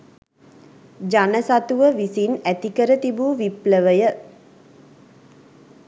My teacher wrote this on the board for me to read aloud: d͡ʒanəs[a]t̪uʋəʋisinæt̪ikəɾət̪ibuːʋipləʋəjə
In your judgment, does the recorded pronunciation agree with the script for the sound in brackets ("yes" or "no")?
yes